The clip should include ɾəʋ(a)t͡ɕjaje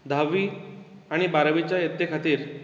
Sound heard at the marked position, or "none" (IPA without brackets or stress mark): i